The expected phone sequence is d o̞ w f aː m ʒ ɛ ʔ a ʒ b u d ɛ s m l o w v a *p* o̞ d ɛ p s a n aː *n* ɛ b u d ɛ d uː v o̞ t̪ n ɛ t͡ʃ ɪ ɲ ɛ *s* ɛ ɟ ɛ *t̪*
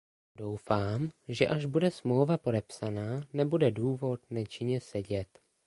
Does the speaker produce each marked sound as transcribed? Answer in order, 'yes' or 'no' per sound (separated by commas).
yes, yes, yes, yes